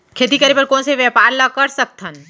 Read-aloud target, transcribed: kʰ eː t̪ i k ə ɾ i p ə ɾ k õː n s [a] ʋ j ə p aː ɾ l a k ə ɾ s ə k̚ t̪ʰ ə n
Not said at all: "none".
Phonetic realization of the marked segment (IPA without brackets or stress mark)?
e